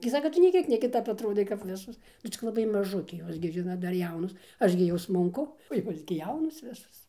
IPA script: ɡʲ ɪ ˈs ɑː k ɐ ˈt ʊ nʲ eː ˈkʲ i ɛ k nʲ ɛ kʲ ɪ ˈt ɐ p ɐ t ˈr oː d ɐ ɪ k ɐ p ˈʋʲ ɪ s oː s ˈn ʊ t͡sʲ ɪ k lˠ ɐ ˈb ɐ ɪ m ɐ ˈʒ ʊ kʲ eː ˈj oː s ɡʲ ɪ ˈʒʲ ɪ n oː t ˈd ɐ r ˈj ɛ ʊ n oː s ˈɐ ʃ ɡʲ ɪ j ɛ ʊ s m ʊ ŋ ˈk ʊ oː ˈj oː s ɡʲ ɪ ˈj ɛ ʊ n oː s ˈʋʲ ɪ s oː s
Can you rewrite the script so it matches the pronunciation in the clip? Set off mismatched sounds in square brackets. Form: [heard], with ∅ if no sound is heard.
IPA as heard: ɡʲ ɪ ˈs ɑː k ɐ ˈt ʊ nʲ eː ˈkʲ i ɛ k nʲ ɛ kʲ ɪ ˈt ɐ p ɐ t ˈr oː d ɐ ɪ k ɐ p ˈʋʲ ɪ s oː s ˈn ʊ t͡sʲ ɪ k lˠ ɐ ˈb ɐ ɪ m ɐ ˈʒ ʊ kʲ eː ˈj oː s ɡʲ ɪ ˈʒʲ ɪ n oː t ˈd ɐ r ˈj ɛ ʊ n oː s ˈɐ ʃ ɡʲ ɪ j ɛ ʊ s m ʊ ŋ ˈk ʊ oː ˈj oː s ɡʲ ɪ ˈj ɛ ʊ n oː s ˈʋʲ ɪ s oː s